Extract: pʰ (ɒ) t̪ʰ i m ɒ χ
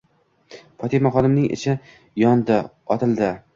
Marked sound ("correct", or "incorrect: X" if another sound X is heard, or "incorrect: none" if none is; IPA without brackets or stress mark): correct